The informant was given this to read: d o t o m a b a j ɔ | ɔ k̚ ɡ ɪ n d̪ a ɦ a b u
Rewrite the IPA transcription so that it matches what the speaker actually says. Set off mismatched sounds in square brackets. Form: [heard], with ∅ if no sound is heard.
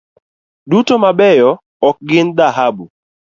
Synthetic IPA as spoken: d [u] t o m a b [ɛ] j ɔ | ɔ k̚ ɡ ɪ n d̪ a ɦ a b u